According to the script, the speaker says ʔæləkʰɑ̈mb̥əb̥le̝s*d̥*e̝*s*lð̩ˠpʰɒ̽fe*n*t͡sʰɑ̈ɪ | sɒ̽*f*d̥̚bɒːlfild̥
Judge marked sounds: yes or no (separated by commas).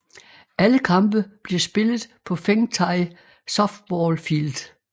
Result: no, no, no, yes